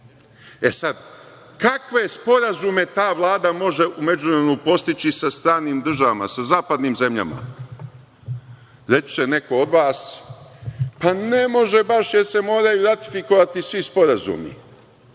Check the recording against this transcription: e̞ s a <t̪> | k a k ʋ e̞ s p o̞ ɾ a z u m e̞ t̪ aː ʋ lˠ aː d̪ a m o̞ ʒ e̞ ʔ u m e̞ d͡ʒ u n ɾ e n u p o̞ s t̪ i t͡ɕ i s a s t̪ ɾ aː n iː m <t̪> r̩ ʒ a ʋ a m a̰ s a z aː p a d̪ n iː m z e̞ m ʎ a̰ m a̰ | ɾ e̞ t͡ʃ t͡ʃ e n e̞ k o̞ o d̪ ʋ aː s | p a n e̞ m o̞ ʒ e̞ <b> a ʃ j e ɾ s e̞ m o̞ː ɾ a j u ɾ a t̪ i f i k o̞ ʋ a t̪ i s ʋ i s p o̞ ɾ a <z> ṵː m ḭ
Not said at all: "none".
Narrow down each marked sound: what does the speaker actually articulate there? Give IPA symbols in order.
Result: d̪, d̪, b, z

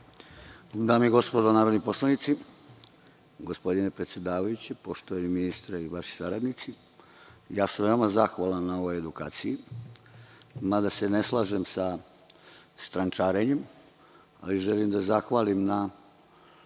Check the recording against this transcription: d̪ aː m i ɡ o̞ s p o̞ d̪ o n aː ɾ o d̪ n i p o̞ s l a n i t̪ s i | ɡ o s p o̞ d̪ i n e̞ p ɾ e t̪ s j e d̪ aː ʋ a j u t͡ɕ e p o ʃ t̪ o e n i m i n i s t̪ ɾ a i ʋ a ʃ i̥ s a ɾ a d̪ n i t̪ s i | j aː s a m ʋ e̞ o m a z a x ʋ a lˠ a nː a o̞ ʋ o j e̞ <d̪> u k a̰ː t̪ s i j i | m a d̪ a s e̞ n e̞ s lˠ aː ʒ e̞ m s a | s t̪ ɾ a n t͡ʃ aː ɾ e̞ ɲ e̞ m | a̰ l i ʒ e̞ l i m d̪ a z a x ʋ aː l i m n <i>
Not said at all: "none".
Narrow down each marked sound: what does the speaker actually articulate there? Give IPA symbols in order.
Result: d̪, a

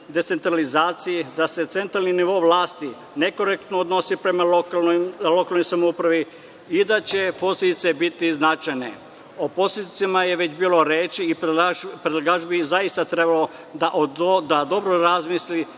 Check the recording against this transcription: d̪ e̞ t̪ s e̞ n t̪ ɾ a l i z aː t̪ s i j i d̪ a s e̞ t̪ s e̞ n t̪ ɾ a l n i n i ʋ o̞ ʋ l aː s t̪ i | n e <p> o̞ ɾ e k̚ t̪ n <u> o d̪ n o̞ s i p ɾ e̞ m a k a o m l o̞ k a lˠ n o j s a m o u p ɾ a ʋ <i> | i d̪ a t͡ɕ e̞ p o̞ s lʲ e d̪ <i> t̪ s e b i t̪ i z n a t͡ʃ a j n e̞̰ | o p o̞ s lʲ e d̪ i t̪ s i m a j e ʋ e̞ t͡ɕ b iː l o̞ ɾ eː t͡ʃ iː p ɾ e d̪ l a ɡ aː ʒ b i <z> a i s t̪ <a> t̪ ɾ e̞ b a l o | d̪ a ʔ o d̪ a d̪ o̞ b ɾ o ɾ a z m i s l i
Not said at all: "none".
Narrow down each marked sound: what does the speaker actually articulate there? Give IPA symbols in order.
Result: k, o, i, i, z, a

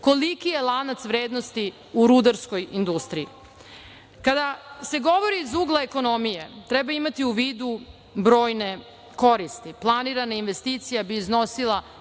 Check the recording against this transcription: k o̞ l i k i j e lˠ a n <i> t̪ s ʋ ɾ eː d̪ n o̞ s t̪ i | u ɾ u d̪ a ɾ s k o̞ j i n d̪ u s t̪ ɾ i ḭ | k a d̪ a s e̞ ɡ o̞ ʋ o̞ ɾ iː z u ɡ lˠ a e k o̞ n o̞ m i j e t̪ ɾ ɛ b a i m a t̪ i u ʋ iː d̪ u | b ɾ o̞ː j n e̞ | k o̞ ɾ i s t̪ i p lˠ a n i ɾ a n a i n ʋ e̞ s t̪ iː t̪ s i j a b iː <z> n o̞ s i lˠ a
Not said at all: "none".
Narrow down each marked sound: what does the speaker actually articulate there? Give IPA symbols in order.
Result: a, z

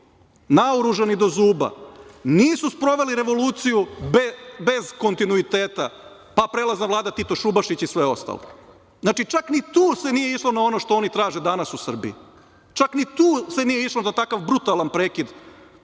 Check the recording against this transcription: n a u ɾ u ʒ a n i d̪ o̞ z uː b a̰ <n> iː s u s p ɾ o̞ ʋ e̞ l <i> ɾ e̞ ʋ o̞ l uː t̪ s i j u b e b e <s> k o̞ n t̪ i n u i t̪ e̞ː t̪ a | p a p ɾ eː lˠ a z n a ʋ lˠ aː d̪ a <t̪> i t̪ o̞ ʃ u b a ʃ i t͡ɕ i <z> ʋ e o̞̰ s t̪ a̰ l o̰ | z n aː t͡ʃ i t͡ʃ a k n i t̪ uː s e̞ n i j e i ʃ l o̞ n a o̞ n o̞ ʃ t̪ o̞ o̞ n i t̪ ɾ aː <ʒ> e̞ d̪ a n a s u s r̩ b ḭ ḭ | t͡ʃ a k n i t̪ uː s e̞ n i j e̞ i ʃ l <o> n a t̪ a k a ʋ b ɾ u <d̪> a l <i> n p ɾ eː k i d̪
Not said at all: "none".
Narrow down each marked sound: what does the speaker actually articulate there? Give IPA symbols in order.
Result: n, i, z, t̪, s, ʒ, o, t̪, a

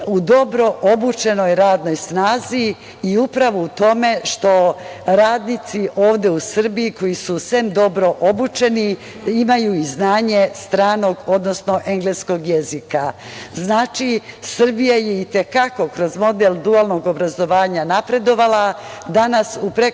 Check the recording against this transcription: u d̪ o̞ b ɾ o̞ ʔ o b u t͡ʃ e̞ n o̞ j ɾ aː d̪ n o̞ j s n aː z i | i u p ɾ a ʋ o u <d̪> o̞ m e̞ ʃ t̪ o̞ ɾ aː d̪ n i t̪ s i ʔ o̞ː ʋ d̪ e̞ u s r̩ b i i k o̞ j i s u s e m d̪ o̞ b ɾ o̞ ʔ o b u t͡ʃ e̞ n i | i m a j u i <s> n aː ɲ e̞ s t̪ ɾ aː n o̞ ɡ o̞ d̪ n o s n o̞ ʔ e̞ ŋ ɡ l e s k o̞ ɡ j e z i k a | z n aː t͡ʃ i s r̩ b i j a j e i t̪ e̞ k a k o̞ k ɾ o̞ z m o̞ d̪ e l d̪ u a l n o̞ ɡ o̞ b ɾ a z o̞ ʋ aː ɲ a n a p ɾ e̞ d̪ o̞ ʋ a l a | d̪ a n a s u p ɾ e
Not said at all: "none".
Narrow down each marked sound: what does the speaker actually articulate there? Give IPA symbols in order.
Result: t̪, z

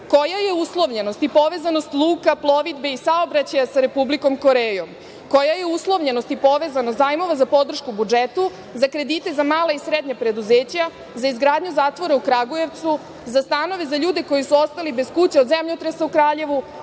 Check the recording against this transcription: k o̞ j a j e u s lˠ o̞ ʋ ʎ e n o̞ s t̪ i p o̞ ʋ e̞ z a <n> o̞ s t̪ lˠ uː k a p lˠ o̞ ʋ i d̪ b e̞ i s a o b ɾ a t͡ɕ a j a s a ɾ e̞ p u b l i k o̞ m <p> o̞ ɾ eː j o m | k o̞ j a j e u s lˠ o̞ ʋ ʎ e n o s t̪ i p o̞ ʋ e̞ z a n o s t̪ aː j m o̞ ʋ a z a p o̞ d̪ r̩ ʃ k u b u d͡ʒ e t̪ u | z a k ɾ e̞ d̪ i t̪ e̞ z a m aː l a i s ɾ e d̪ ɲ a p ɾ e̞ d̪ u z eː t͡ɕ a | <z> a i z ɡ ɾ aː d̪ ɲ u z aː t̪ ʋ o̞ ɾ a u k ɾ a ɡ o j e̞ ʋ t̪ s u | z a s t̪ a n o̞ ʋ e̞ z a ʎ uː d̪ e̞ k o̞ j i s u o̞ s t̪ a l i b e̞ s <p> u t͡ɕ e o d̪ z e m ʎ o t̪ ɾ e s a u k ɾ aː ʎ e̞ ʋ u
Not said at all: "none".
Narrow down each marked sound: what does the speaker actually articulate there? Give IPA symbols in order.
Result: n, k, z, k

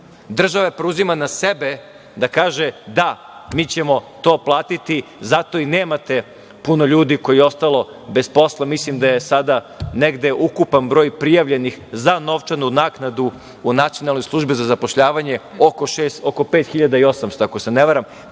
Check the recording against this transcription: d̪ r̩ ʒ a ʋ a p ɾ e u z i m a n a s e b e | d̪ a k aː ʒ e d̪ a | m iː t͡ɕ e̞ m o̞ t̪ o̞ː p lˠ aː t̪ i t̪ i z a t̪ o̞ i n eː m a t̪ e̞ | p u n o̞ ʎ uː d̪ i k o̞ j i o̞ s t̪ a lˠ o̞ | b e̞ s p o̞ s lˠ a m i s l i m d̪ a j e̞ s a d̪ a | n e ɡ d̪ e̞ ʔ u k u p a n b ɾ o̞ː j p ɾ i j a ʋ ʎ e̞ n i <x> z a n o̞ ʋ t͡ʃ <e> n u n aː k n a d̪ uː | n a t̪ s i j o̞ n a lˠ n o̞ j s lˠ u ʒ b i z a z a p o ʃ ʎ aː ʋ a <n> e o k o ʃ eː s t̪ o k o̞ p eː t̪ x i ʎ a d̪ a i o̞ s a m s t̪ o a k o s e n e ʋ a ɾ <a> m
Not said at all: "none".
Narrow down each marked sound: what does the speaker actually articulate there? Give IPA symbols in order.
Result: x, a, ɲ, a

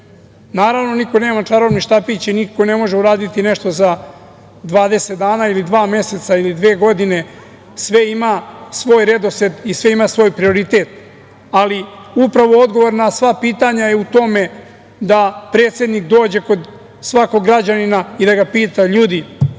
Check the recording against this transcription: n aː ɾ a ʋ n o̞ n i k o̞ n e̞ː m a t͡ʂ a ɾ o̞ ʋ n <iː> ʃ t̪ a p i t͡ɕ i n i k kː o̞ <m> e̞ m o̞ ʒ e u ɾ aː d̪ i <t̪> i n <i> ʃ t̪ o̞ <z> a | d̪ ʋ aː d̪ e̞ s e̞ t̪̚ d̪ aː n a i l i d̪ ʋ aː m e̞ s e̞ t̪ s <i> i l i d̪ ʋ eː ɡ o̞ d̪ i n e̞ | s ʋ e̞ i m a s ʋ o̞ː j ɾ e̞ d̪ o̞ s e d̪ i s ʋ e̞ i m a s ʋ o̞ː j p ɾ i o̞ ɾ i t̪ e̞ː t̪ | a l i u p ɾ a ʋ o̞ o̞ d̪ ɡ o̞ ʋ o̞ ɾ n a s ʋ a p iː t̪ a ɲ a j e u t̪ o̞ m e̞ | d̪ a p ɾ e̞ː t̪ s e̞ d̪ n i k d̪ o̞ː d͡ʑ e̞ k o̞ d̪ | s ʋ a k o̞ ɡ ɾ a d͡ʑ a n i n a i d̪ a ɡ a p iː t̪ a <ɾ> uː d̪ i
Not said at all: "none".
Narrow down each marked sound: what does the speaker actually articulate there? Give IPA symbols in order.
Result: i, n, t̪, e, z, a, ʎ

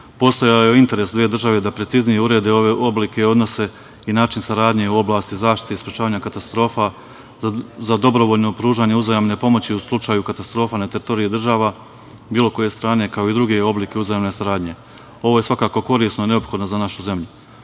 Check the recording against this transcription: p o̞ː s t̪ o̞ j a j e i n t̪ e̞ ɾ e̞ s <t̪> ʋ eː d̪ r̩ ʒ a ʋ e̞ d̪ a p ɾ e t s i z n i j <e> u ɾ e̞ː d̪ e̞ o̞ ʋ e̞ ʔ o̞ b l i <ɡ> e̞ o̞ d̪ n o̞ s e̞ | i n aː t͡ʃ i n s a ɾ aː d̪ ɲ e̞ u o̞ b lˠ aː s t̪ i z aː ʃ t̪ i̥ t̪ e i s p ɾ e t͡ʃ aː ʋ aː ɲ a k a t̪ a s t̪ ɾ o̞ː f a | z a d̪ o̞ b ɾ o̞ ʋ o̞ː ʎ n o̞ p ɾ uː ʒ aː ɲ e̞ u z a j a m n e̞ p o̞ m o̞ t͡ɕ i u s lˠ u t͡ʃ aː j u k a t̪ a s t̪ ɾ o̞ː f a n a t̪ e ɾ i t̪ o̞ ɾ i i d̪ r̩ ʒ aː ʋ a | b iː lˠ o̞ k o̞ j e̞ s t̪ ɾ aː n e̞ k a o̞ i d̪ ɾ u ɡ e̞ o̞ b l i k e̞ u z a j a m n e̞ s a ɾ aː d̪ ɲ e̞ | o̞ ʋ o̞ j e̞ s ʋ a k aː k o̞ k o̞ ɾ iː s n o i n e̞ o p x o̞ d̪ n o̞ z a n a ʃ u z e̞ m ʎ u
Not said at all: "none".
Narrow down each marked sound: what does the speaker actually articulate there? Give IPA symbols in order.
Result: d̪, e, k

